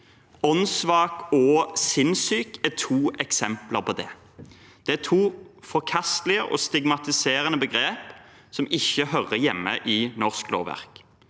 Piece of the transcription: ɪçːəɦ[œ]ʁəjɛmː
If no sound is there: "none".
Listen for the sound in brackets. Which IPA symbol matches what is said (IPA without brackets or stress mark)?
œ